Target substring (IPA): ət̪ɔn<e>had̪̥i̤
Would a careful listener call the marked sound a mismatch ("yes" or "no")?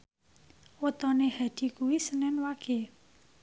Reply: no